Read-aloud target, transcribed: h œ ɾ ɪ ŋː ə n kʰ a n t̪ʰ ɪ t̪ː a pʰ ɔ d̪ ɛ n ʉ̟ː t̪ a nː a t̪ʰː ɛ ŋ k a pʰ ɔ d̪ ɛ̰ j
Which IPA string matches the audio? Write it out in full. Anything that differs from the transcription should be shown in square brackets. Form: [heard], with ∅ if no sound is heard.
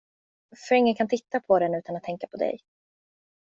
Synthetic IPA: [f] œ ɾ ɪ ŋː ə n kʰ a n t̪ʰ ɪ t̪ː a pʰ ɔ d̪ ɛ n ʉ̟ː t̪ a [n] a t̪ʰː ɛ ŋ k a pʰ ɔ d̪ ɛ̰ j